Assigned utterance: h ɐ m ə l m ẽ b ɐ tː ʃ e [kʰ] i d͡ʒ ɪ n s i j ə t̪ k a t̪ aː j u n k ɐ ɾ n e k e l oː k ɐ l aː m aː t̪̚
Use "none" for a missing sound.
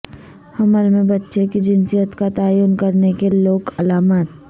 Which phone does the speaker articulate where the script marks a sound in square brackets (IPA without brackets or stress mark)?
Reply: k